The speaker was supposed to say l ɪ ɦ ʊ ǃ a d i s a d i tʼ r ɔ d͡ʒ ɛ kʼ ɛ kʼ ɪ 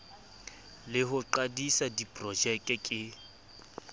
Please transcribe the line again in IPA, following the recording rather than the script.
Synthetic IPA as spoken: l ɪ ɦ ʊ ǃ a d i s a d i pʼ r ɔ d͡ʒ ɛ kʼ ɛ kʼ ɪ